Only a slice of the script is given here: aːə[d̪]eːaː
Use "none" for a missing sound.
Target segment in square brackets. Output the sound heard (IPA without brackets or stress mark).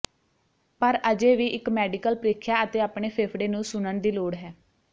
t̪